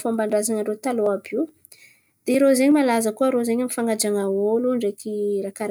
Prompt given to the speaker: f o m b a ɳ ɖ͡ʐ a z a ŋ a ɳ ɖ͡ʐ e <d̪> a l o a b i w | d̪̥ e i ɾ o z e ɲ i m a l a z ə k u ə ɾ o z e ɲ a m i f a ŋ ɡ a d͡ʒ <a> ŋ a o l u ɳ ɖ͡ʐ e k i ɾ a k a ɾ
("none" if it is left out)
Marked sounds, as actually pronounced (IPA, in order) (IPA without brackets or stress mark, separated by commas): t̪, a